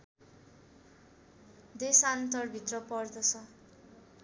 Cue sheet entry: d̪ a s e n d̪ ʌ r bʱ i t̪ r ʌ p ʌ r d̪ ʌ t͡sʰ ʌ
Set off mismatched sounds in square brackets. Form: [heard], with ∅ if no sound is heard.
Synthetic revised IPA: d̪ [e] s [a] n [t̪] ʌ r bʱ i t̪ r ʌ p ʌ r d̪ ʌ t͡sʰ ʌ